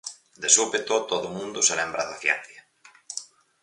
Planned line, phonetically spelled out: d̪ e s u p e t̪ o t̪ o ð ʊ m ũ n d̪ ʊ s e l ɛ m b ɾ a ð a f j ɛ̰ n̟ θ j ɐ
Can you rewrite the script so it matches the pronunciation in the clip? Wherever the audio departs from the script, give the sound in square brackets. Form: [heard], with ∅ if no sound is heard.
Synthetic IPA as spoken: d̪ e s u p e t̪ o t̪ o ð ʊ m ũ n d̪ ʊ s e l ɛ m b ɾ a ð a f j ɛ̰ n̟ θ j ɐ